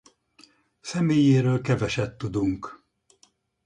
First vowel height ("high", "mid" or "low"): mid